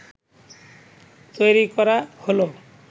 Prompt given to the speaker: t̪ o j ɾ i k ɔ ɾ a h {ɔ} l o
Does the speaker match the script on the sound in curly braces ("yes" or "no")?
no